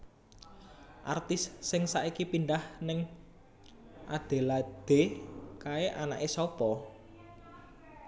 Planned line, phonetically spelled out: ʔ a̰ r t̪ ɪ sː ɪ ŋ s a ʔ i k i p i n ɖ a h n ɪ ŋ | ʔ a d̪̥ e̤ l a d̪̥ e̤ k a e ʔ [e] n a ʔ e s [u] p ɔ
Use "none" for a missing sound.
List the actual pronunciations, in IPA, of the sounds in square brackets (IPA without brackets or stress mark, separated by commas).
a, ɔ